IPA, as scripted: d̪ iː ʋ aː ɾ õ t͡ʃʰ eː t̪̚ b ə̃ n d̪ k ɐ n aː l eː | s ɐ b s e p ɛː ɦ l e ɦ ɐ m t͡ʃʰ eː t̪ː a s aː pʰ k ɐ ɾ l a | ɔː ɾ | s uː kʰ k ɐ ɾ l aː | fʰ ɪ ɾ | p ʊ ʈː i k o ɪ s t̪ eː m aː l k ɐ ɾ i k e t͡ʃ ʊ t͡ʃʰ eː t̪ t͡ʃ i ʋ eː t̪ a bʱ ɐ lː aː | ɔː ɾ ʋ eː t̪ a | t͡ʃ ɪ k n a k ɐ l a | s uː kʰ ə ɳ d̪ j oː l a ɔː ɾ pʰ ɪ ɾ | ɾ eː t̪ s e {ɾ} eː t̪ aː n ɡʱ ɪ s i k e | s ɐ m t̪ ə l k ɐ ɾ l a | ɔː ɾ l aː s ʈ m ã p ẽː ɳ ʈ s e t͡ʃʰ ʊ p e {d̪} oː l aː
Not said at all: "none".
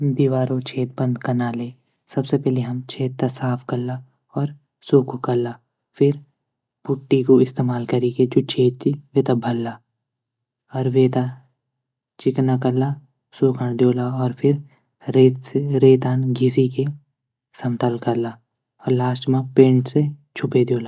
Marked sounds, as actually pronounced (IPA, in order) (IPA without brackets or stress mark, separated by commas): ɾ, d̪